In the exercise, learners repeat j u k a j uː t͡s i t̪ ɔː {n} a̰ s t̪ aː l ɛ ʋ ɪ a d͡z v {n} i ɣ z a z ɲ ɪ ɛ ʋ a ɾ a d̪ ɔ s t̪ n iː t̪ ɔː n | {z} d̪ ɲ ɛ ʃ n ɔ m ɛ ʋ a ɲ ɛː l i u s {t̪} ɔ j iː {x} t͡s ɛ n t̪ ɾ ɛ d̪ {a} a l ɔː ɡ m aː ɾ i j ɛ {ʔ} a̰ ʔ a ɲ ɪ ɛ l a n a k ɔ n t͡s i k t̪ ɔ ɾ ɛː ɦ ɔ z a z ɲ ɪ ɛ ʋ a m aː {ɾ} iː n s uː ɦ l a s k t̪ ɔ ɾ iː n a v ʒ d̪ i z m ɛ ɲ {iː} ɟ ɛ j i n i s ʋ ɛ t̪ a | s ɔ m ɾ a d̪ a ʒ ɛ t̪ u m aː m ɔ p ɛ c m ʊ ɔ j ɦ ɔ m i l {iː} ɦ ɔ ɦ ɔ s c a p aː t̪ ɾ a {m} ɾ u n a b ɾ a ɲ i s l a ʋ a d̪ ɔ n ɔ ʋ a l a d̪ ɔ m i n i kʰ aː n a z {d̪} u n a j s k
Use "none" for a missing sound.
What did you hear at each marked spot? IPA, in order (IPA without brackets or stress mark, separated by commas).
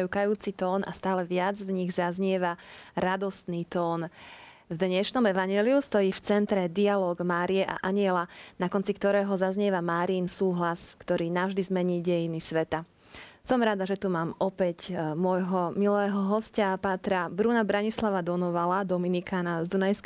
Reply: n, ɲ, v, t̪, f, i, ʔ, ɾ, iː, ɛː, b, d̪